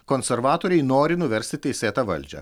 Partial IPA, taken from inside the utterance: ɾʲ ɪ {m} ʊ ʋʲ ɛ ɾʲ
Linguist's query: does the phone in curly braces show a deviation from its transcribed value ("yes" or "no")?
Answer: yes